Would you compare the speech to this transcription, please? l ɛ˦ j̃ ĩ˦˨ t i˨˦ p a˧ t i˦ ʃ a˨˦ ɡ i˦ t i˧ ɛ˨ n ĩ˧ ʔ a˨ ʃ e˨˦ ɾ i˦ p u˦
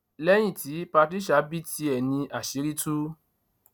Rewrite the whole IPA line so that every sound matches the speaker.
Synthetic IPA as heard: l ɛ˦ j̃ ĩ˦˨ t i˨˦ p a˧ t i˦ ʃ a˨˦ b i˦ t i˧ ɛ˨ n ĩ˧ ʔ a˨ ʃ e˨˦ ɾ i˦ t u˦